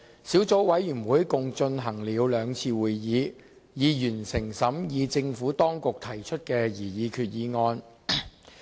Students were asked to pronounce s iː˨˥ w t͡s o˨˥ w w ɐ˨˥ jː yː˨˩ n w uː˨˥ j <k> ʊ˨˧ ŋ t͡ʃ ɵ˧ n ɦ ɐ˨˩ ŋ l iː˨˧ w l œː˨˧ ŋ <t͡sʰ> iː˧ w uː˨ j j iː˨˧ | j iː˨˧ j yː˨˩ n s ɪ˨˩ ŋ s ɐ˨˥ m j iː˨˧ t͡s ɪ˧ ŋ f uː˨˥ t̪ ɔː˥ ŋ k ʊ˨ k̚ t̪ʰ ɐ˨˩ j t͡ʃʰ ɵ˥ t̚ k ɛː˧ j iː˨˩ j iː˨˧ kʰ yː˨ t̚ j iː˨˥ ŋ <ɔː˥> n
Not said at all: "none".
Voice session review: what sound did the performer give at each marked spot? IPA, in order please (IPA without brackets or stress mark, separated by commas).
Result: k, t͡sʰ, ɔː˧